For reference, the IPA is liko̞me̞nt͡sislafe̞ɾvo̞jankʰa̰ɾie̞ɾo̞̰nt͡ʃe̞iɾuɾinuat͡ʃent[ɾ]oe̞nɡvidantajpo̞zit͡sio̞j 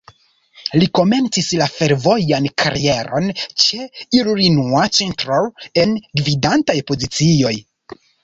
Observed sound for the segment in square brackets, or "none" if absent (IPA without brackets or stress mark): ɾ